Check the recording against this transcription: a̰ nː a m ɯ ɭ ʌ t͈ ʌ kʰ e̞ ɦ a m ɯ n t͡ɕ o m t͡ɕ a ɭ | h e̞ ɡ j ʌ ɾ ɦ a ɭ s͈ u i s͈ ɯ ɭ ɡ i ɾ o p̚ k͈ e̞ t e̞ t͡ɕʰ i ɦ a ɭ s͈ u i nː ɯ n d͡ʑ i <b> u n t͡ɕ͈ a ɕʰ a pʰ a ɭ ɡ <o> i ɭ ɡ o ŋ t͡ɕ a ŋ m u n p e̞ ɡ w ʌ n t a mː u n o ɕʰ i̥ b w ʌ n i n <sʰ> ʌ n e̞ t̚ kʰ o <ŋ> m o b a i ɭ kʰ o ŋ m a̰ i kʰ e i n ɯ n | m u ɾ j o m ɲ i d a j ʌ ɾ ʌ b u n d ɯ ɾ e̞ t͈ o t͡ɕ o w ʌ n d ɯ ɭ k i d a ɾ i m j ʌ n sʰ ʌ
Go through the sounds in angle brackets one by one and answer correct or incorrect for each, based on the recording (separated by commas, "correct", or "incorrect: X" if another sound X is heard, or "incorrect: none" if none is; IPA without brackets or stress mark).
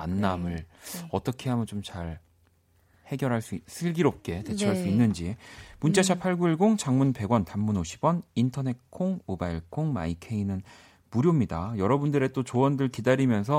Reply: incorrect: m, incorrect: u, incorrect: tʰ, correct